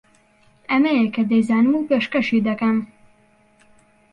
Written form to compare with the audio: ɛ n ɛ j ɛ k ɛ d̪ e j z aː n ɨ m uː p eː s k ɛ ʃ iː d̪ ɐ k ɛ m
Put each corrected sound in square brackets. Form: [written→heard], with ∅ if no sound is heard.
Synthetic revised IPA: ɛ [n→m] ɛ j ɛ k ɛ d̪ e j z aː n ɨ m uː p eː [s→ʃ] k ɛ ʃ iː d̪ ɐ k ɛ m